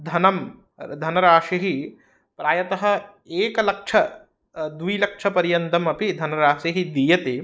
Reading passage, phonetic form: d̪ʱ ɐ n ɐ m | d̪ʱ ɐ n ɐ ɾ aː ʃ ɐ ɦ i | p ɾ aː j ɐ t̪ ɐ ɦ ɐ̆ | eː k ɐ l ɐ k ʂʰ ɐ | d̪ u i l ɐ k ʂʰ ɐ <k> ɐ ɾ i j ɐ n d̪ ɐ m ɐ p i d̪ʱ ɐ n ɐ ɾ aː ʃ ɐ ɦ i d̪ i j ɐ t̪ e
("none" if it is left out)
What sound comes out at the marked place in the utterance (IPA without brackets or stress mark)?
p